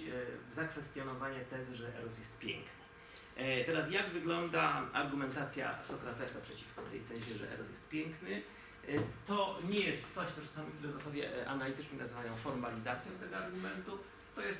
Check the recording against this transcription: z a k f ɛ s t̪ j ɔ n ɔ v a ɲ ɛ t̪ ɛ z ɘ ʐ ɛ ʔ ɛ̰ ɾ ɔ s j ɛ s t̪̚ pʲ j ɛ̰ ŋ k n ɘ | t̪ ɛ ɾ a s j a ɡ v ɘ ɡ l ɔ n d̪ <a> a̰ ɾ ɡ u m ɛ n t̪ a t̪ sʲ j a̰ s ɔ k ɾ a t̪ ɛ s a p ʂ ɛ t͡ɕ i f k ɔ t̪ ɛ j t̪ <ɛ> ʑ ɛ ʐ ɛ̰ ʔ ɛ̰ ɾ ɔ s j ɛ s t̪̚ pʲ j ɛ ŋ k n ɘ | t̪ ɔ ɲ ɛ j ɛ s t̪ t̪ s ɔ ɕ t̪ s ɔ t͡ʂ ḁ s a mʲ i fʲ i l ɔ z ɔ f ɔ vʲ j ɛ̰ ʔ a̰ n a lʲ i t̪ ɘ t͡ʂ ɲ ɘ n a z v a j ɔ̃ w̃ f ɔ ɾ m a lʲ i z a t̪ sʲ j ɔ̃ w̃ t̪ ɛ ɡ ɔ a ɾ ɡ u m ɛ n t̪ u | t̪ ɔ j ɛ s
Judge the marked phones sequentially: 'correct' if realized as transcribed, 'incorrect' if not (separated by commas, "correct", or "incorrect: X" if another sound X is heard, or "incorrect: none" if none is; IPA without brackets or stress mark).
correct, correct